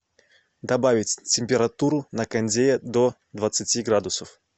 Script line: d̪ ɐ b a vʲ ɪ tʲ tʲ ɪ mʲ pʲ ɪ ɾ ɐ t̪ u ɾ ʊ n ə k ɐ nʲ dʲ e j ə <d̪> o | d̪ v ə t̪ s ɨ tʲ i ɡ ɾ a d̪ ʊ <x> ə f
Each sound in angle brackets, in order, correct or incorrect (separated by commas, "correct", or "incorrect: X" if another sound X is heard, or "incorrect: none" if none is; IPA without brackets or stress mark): correct, incorrect: s